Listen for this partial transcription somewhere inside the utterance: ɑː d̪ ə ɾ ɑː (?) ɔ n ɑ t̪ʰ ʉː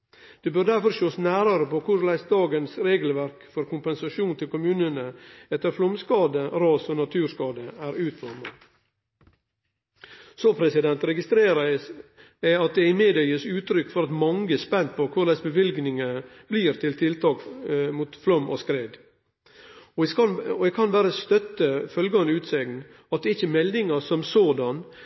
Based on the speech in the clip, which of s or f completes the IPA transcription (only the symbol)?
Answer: s